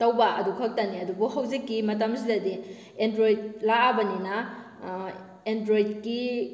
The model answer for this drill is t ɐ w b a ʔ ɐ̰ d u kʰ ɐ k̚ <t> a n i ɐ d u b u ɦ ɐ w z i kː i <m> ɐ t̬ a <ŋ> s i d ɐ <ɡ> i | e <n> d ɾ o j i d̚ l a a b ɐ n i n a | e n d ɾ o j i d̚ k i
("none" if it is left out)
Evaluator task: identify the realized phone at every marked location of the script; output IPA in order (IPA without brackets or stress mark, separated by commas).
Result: t, m, m, d, n